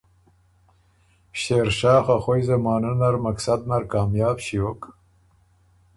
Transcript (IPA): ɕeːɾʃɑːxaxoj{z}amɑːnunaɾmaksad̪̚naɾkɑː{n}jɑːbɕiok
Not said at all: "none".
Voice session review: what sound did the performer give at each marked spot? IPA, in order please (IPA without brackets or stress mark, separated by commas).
z, m